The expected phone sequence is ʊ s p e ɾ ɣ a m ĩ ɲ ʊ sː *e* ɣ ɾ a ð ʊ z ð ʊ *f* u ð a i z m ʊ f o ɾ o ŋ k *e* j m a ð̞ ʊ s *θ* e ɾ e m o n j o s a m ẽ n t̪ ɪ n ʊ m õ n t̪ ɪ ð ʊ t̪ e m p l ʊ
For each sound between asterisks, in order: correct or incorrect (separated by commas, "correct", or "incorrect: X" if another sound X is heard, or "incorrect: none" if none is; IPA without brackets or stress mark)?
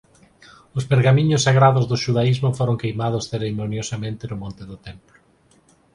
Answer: incorrect: a, incorrect: ʃ, correct, correct